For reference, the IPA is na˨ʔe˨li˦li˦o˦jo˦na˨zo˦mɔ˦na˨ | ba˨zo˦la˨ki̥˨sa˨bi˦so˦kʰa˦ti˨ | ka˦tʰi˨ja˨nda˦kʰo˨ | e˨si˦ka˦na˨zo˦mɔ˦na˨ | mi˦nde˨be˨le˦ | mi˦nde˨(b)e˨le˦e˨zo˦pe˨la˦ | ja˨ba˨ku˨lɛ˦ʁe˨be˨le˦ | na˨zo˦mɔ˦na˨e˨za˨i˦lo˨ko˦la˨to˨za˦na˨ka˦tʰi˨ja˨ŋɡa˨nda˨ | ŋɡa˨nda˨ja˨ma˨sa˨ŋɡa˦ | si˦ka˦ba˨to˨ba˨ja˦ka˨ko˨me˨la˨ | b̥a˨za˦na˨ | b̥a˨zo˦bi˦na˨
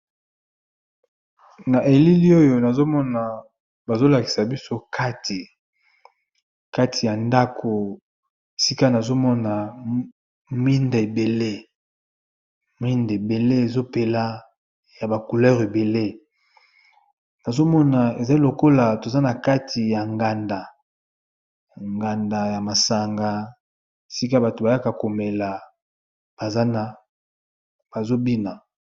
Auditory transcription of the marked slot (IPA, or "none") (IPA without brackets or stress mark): b